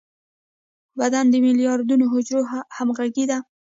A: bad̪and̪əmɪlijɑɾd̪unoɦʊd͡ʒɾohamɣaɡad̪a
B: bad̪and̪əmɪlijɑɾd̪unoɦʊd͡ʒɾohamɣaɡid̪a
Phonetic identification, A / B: B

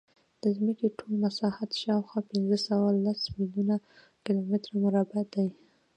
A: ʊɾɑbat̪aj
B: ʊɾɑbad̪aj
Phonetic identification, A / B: B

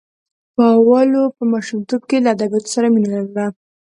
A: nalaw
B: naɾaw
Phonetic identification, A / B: A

